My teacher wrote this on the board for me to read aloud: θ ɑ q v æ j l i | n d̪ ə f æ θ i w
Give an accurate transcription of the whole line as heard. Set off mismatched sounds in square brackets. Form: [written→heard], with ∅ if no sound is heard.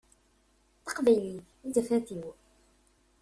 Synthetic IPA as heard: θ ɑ q v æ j l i | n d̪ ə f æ θ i w